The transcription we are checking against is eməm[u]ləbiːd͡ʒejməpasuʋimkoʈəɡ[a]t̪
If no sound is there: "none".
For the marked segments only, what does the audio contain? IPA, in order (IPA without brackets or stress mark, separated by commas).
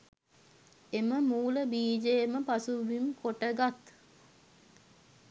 uː, a